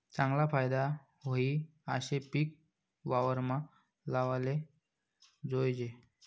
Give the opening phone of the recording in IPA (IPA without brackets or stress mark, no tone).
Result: t͡s